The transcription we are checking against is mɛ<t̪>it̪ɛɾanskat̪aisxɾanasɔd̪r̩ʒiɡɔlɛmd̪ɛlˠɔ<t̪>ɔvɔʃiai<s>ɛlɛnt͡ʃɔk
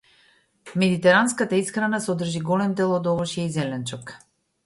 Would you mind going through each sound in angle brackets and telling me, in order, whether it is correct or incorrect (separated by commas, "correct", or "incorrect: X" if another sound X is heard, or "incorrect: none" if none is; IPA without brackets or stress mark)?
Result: incorrect: d̪, incorrect: d̪, incorrect: z